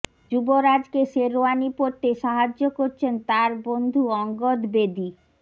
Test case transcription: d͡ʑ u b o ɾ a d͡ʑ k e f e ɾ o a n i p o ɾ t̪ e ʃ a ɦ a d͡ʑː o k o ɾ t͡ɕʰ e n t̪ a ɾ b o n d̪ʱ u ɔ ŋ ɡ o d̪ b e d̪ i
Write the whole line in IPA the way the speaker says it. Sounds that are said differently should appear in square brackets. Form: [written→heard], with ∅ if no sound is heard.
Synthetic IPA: d͡ʑ u b o ɾ a d͡ʑ k e [f→ʃ] e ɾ o a n i p o ɾ t̪ e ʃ a ɦ a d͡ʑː o k o ɾ t͡ɕʰ e n t̪ a ɾ b o n d̪ʱ u ɔ ŋ ɡ o d̪ b e d̪ i